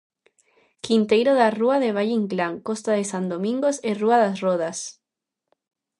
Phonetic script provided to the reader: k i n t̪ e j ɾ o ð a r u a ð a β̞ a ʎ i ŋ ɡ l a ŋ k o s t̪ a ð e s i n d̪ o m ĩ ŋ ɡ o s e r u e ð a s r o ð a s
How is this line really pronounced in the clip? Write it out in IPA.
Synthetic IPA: k i n t̪ e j ɾ o ð a r u a ð e β̞ a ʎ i ŋ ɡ l a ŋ k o s t̪ a ð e s a n d̪ o m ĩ ŋ ɡ o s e r u a ð a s r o ð a s

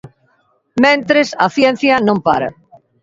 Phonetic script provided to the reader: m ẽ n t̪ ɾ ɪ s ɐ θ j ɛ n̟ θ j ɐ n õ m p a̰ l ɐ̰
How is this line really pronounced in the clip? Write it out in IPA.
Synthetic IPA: m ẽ n t̪ ɾ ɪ s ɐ θ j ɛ n̟ θ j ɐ n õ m p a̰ ɾ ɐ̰

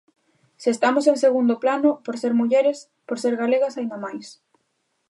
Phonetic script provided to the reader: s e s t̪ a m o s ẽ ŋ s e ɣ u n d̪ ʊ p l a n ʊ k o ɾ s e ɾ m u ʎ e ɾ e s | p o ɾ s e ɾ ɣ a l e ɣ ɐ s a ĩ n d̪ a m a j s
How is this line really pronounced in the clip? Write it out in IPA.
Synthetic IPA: s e s t̪ a m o s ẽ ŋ s e ɣ u n d̪ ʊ p l a n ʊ p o ɾ s e ɾ m u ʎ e ɾ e s | p o ɾ s e ɾ ɣ a l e ɣ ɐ s a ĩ n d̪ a m a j s

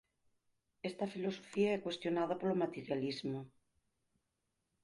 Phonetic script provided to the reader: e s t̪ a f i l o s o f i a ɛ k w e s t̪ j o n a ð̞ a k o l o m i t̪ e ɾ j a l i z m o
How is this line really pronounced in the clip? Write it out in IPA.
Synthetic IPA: e s t̪ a f i l o s o f i a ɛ k w e s t̪ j o n a ð̞ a p o l o m a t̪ e ɾ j a l i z m o

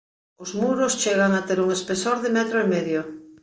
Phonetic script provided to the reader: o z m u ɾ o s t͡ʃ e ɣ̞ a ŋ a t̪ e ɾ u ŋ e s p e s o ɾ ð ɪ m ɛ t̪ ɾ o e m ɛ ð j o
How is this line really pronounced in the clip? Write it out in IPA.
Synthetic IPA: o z m u ɾ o s t͡ʃ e ɣ̞ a ŋ a t̪ e ɾ u ŋ e s p e s o ɾ ð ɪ m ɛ t̪ ɾ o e m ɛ ð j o

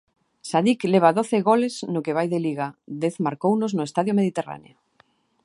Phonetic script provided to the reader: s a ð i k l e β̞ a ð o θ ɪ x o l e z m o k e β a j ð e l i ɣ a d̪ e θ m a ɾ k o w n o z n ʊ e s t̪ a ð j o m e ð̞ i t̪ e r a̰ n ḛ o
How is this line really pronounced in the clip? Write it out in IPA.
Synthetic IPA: s a ð i k l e β̞ a ð o θ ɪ ɣ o l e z n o k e β a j ð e l i ɣ a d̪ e θ m a ɾ k o w n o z n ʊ e s t̪ a ð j o m e ð̞ i t̪ e r a̰ n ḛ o

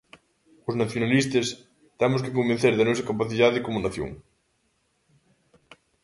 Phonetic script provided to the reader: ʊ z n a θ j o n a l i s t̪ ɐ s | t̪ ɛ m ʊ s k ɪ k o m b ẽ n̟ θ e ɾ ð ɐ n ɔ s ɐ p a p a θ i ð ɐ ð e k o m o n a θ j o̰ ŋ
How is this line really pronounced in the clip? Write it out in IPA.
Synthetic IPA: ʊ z n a θ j o n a l i s t̪ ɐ s | t̪ ɛ m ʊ s k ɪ k o m b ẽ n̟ θ e ɾ ð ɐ n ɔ s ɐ k a p a θ i ð a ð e k o m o n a θ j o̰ ŋ

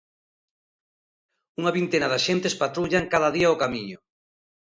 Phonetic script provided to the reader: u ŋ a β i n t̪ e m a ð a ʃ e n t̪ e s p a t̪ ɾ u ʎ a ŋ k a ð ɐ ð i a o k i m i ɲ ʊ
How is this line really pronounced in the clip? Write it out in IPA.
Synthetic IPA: u ŋ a β i n t̪ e n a ð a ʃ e n t̪ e s p a t̪ ɾ u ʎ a ŋ k a ð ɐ ð i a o k a m i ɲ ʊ

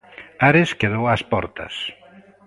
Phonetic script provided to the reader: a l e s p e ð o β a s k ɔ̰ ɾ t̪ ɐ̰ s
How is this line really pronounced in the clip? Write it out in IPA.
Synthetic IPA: a ɾ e s k e ð o w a s p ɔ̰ ɾ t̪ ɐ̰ s

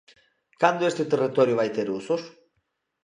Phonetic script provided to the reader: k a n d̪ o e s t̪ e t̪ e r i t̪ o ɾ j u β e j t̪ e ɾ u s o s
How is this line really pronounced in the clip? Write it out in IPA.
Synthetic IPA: k a n d̪ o e s t̪ e t̪ e r i t̪ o ɾ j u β a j t̪ e ɾ u s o s

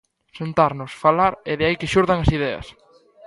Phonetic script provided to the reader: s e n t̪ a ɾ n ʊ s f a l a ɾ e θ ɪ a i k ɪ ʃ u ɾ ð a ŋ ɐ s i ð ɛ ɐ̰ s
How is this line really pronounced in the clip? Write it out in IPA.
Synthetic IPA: s e n t̪ a ɾ n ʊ s f a l a ɾ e ð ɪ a i k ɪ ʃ u ɾ ð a ŋ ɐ s i ð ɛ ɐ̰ s

